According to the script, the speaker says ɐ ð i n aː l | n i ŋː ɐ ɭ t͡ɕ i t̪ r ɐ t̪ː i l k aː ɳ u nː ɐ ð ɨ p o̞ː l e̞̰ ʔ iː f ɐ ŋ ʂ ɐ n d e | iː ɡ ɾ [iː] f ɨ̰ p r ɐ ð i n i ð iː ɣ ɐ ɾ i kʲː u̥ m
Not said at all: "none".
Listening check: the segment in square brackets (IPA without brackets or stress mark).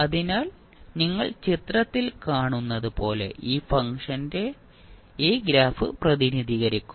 aː